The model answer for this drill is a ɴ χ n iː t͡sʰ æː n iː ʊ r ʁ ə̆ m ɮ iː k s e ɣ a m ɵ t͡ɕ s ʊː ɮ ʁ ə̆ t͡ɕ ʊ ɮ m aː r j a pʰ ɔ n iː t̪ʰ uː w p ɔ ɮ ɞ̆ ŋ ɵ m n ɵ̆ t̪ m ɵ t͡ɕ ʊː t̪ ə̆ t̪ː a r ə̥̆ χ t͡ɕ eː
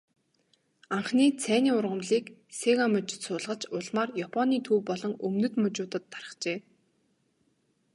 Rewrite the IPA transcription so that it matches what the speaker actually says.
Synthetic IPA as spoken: a ɴ χ n iː t͡sʰ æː n iː ʊ r ʁ ə̆ m ɮ iː k s e ɣ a m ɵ t͡ɕ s ʊː ɮ ʁ ə̆ t͡ɕ ʊ ɮ m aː r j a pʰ ɔ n iː t̪ʰ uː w p ɔ ɮ ɞ̆ ŋ ɵ m n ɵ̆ t̪ m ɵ t͡ɕ ʊː t̪ ə̆ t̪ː a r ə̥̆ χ t͡ɕ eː

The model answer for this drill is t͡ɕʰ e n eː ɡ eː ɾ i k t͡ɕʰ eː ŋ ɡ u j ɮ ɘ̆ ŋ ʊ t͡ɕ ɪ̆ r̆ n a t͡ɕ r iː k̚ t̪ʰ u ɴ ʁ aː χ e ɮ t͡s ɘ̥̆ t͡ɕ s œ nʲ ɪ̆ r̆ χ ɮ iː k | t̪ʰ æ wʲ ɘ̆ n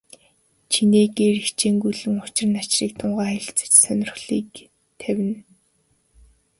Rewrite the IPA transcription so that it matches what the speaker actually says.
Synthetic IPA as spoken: t͡ɕʰ i n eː ɡ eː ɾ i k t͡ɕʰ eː ŋ ɡ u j ɮ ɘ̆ ŋ ʊ t͡ɕ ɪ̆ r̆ n a t͡ɕ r iː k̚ t̪ʰ ʊ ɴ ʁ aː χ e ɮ t͡s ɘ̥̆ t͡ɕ s œ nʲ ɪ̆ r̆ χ ɮ iː k | t̪ʰ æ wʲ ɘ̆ n

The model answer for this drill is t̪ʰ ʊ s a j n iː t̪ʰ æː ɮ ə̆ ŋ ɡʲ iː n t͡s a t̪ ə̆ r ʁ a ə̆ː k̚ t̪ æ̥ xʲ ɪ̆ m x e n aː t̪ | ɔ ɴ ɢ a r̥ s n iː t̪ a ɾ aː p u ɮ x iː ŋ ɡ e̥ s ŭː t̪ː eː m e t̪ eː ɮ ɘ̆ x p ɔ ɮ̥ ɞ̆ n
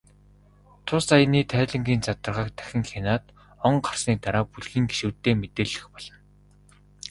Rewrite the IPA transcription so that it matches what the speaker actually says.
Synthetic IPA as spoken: t̪ʰ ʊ s a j n iː t̪ʰ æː ɮ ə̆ ŋ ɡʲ iː n t͡s a t̪ ə̆ r ʁ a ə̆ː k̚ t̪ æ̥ xʲ ɪ̆ ŋ x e n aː t̪ | ɔ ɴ ɢ a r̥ s n iː t̪ a ɾ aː p u ɮ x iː ŋ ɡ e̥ ʃ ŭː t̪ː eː m e t̪ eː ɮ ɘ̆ x p ɔ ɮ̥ ɞ̆ n

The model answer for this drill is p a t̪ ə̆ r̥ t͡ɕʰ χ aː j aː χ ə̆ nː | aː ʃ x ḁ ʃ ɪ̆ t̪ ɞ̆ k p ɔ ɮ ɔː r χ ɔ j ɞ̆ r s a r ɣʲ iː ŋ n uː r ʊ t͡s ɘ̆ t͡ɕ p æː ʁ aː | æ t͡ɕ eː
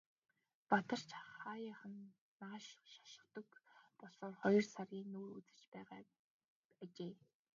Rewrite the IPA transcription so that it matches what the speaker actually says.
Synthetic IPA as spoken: p a t̪ ə̆ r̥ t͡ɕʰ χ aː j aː χ ə̆ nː | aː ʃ ʃ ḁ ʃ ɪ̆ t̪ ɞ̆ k p ɔ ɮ ɔː r χ ɔ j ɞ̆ r s a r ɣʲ iː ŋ n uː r u t͡s ɘ̆ t͡ɕ p æː ʁ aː | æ t͡ɕ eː

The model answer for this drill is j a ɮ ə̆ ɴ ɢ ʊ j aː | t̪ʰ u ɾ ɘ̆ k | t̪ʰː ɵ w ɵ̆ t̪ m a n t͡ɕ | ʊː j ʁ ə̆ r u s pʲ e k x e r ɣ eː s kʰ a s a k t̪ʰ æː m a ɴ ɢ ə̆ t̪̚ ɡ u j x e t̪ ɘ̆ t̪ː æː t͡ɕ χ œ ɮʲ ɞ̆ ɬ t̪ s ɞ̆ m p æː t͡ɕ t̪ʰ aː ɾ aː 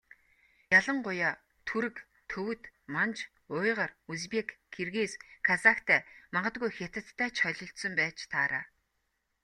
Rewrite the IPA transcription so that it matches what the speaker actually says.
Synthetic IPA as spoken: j a ɮ ə̆ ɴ ɢ ʊ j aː | t̪ʰ u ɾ ɘ̆ k | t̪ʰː ɵ w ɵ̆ t̪ m a n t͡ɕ | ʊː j ʁ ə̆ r u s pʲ e k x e r ɣ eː s kʰ a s a k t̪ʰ æː m a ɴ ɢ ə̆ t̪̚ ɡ u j x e t̪ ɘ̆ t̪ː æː t͡ɕ χ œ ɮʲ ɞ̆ ɬ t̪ s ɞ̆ m p æː t͡ɕ t̪ʰ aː ɾ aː

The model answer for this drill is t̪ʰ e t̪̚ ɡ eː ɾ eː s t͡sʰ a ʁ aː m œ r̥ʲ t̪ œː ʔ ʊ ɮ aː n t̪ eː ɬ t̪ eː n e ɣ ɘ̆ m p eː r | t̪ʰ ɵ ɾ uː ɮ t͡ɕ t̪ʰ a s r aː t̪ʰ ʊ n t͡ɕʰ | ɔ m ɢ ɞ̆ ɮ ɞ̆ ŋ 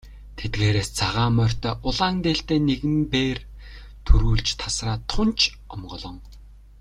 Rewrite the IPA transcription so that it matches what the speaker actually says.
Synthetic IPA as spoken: t̪ʰ e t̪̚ ɡ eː ɾ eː s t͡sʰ a ʁ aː m œ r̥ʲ t̪ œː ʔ ʊ ɮ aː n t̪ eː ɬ t̪ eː n e ɣ ɘ̆ m p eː r | t̪ʰ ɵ ɾ uː ɮ t͡ɕ t̪ʰ a s r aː t̪ʰ ʊ n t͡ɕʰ | ɔ m ɢ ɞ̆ ɮ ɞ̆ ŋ

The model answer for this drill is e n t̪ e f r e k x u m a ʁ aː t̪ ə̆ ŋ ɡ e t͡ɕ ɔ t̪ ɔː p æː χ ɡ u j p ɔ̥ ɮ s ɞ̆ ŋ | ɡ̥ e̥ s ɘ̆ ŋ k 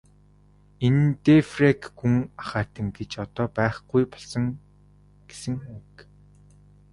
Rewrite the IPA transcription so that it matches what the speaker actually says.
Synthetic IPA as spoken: e n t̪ e f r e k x u ŋ a χ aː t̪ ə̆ ŋ ɡ e t͡ɕ ɔ t̪ ɔː p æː χ ɡ u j p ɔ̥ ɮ s ɞ̆ ŋ | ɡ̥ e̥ s ɘ̆ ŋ k

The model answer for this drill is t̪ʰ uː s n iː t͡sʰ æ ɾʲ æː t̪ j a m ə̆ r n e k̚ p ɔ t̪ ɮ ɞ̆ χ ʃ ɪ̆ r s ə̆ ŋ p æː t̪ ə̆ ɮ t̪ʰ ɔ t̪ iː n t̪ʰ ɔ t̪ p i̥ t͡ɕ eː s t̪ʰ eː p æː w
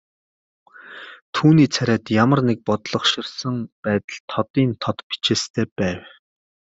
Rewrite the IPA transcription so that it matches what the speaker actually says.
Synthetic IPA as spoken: t̪ʰ uː n iː t͡sʰ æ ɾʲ æː t̪ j a m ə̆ r n e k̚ p ɔ t̪ ɮ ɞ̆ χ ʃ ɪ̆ r s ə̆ ŋ p æː t̪ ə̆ ɮ t̪ʰ ɔ t̪ iː n t̪ʰ ɔ t̪ p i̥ t͡ɕ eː s t̪ʰ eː p æː w

